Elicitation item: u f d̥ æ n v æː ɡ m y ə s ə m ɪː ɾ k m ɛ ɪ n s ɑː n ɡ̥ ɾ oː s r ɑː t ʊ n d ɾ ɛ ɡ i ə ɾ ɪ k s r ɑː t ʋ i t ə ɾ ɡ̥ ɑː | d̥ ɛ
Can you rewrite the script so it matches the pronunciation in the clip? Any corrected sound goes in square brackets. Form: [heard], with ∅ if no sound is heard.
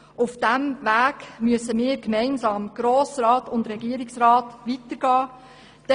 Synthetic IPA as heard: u f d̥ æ [m] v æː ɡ m y ə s ə m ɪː ɾ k m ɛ ɪ n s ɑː [m] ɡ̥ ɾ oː s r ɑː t ʊ n d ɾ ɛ ɡ i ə ɾ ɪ k s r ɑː t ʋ i t ə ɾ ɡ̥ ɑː | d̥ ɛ

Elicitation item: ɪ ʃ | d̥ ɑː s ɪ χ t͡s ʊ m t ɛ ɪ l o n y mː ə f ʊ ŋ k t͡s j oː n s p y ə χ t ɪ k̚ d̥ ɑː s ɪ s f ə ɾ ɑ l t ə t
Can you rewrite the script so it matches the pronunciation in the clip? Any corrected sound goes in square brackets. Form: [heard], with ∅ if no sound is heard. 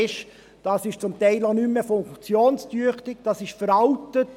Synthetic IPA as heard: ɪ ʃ | d̥ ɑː s ɪ [ʃ] t͡s ʊ m t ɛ ɪ l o n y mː ə f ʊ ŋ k t͡s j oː n s [t] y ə χ t ɪ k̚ d̥ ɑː s ɪ [ʃ] f ə ɾ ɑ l t ə t

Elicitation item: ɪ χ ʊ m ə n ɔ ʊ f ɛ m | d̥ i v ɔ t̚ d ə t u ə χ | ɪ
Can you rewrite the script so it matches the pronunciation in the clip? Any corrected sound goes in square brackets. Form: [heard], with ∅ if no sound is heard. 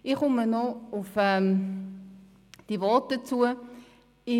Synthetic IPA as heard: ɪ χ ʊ m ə n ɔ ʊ f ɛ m | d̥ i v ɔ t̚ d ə [t͡s] u ə [∅] | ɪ

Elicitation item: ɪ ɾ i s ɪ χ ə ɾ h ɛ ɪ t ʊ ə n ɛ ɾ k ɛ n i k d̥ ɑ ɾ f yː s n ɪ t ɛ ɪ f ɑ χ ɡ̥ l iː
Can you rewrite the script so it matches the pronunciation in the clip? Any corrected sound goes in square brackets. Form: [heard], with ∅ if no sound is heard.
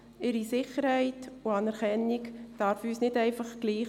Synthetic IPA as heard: ɪ ɾ i s ɪ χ ə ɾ h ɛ ɪ t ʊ [ɑ] n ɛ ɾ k ɛ n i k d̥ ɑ ɾ f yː s n ɪ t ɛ ɪ f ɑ χ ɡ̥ l iː

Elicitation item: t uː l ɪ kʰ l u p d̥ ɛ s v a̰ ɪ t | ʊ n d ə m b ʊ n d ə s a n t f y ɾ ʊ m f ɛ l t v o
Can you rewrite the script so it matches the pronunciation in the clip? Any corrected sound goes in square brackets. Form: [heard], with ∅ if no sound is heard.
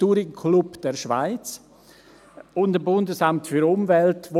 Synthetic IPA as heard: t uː [ɾ] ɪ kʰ l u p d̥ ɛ [ʃ] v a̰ ɪ [t͡s] | ʊ n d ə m b ʊ n d ə s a [m] t f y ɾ ʊ m [v] ɛ l t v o

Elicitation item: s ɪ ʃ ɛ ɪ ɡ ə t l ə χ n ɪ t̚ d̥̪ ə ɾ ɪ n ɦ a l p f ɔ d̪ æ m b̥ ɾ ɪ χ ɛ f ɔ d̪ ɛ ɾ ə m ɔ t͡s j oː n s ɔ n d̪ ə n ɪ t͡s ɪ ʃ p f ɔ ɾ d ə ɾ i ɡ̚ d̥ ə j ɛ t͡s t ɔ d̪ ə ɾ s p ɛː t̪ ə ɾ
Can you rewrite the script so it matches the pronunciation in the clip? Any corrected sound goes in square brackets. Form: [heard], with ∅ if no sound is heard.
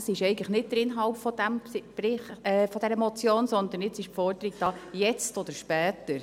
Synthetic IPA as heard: s ɪ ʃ ɛ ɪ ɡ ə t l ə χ n ɪ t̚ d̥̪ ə ɾ ɪ n ɦ [ɑ] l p f ɔ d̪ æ m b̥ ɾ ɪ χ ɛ f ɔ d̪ ɛ ɾ ə m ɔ t͡s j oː n s ɔ n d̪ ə n ɪ t͡s ɪ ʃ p f ɔ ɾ d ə ɾ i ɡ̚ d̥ [ɑ] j ɛ t͡s t ɔ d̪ ə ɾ [ʃ] p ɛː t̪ ə ɾ

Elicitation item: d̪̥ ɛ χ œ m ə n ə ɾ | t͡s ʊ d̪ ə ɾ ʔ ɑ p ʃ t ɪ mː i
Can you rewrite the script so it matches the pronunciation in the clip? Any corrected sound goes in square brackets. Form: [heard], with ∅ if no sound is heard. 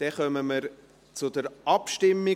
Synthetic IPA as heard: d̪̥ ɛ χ œ m ə [m] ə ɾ | t͡s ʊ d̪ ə ɾ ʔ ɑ p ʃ t ɪ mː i

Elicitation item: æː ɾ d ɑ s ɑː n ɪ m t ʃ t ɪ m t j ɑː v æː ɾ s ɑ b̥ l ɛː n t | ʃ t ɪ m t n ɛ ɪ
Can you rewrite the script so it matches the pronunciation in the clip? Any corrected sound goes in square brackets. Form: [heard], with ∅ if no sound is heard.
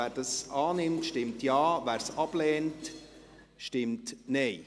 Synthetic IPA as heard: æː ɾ d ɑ s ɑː n ɪ m t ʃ t ɪ m t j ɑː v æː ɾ s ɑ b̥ l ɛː n t | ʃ t ɪ m t n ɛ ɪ

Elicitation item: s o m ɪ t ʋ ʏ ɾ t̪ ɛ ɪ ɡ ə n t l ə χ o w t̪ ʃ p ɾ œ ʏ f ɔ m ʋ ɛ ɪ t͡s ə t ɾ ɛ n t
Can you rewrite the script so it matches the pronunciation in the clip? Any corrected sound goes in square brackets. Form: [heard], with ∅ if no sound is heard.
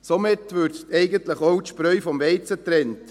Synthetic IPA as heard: s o m ɪ t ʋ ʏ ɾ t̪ ɛ ɪ ɡ ə n t l ə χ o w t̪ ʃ p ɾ œ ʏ f ɔ m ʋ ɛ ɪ t͡s ə t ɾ ɛ n t

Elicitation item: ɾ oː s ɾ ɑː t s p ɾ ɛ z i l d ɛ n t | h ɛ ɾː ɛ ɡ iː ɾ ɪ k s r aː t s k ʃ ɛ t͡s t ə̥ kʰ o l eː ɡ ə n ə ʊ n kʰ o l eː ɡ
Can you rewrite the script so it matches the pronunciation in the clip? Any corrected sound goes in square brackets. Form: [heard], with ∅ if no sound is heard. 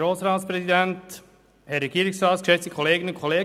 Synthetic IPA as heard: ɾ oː s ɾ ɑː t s p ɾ ɛ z i [∅] d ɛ n t | h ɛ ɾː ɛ ɡ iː ɾ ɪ k s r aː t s k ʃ ɛ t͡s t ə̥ kʰ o l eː ɡ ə n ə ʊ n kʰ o l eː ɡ

